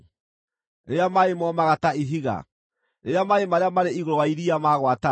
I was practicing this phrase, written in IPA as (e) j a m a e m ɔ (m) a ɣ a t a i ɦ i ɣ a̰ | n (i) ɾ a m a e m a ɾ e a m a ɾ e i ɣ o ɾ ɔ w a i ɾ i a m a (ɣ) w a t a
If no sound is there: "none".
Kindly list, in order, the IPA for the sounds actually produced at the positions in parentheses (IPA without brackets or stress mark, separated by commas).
e, m, e, ɣ